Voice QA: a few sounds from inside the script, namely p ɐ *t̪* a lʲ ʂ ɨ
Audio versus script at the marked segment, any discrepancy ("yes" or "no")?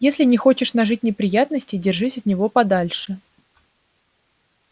yes